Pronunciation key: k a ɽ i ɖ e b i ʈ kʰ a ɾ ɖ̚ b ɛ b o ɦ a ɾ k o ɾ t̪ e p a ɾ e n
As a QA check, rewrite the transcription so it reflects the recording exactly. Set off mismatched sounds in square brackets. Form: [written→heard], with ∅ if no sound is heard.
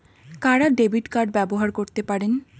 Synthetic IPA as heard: k a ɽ [i→a] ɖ e b i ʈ [kʰ→k] a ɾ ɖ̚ b ɛ b o ɦ a ɾ k o ɾ t̪ e p a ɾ e n